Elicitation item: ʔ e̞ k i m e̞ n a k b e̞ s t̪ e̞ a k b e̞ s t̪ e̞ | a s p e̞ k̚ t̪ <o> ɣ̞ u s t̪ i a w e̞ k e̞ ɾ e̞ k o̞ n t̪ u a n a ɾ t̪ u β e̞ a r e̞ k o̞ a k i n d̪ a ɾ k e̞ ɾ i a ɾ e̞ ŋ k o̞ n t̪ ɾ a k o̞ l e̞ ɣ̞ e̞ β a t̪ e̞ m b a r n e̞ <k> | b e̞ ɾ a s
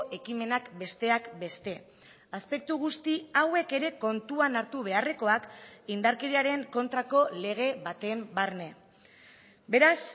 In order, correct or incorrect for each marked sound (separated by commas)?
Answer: incorrect, incorrect